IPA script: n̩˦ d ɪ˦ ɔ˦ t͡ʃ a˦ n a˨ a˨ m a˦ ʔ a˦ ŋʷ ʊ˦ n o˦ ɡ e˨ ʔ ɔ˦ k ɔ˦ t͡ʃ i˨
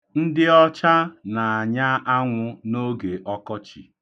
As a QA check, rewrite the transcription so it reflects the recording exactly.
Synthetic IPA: n̩˦ d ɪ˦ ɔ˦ t͡ʃ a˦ n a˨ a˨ ɲ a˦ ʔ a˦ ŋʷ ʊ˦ n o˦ ɡ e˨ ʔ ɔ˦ k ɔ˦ t͡ʃ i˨